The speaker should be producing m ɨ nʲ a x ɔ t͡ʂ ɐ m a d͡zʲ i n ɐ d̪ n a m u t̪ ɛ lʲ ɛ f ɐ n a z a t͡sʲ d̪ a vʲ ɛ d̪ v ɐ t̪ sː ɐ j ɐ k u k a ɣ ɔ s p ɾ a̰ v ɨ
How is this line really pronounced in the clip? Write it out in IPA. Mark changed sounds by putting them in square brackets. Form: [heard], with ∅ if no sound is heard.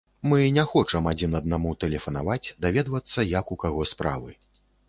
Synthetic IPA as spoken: m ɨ nʲ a x ɔ t͡ʂ ɐ m a d͡zʲ i n ɐ d̪ n a m u t̪ ɛ lʲ ɛ f ɐ n a [v] a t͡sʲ d̪ a vʲ ɛ d̪ v ɐ t̪ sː ɐ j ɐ k u k a ɣ ɔ s p ɾ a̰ v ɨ